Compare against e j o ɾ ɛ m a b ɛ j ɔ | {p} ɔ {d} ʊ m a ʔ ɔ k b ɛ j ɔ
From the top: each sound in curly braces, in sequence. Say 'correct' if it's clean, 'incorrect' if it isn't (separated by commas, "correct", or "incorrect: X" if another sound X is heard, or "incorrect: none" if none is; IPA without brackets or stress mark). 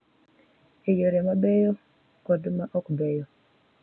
incorrect: k, correct